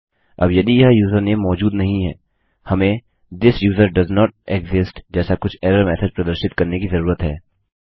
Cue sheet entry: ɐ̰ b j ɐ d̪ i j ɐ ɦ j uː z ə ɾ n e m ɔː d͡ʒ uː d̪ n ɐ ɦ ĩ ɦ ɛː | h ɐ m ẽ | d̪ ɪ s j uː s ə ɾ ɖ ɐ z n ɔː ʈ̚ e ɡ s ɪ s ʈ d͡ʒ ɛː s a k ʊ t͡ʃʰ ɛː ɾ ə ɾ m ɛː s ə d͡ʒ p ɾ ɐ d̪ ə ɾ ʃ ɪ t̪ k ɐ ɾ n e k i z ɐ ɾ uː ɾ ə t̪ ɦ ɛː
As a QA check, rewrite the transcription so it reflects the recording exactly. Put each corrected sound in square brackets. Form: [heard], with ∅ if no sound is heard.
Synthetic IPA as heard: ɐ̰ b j ɐ d̪ i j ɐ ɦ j uː z ə ɾ n e m ɔː d͡ʒ uː d̪ n ɐ ɦ ĩ ɦ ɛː | h ɐ m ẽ | d̪ ɪ s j uː [z] ə ɾ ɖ ɐ z n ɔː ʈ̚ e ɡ [z] ɪ s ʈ d͡ʒ ɛː s a k ʊ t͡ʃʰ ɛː ɾ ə ɾ m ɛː s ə d͡ʒ p ɾ ɐ d̪ ə ɾ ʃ ɪ t̪ k ɐ ɾ n e k i z ɐ ɾ uː ɾ ə t̪ ɦ ɛː